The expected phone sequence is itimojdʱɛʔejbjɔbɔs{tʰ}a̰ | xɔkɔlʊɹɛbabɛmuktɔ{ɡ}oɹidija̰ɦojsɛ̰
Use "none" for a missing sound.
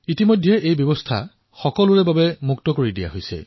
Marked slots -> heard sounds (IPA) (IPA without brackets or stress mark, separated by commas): tʰ, k